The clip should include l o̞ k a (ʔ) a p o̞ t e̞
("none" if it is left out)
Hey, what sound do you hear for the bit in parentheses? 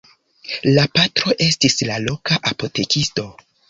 ʔ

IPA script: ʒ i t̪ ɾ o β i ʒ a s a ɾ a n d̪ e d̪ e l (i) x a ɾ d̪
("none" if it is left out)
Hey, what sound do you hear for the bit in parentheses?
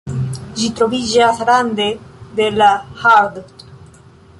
a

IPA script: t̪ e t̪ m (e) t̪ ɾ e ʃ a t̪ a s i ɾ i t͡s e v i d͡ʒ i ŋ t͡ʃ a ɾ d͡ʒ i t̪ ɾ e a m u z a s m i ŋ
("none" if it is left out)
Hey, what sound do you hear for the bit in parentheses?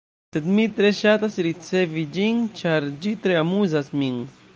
i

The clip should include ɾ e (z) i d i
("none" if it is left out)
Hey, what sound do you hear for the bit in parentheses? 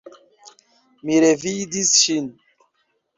v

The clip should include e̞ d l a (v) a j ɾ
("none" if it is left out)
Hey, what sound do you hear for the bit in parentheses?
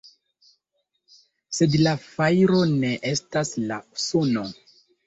f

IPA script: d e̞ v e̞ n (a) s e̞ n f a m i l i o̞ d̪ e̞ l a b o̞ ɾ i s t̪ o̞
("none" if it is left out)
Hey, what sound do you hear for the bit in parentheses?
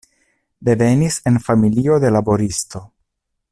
i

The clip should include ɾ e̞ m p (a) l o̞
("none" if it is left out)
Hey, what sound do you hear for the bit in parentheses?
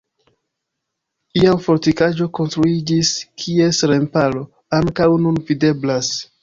a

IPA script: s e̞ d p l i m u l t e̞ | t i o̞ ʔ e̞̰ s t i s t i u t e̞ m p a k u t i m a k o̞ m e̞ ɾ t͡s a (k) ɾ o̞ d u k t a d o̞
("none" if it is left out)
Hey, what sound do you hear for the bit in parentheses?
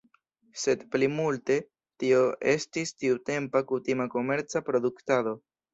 p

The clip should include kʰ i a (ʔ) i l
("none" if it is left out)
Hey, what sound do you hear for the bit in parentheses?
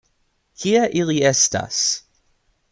ʔ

